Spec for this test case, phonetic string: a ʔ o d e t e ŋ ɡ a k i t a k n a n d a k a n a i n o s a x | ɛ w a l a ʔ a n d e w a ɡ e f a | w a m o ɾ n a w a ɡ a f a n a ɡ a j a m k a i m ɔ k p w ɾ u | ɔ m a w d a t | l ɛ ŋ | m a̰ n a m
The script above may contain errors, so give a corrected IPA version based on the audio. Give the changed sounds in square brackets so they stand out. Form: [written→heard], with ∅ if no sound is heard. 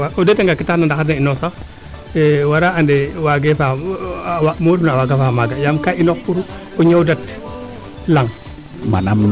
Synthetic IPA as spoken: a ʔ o d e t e ŋ ɡ a k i t a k n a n d a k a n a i n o s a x | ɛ w a [l→ɾ] a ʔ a n d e w a ɡ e f a | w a m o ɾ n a w a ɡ a f a [n→m] a ɡ a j a m k a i [m→n] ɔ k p [w→u] ɾ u | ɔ [m→ɲ] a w d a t | l [ɛ→a] ŋ | m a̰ n a m